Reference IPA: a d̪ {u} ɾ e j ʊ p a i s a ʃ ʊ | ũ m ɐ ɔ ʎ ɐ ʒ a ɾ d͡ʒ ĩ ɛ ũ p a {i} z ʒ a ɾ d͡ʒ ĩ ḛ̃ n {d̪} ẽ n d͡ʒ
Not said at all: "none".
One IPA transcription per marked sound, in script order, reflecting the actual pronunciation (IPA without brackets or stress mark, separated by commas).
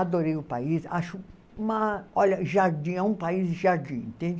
o, i, t̪